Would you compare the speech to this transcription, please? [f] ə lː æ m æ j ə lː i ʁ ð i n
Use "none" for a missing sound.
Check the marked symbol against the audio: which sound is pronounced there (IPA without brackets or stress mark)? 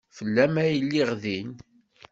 f